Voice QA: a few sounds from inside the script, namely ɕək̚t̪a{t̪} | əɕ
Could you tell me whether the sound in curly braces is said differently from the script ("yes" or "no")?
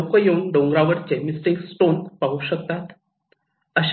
no